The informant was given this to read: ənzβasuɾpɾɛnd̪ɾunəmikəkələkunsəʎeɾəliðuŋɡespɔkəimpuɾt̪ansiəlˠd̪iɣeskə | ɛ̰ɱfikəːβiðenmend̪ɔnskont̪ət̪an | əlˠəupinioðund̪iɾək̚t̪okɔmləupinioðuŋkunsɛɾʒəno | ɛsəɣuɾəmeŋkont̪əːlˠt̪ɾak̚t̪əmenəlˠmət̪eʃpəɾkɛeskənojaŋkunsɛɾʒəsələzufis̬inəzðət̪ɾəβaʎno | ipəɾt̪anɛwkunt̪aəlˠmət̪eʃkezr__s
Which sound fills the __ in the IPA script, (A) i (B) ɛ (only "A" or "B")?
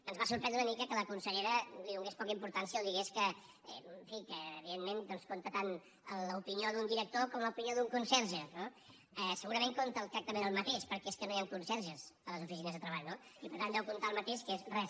B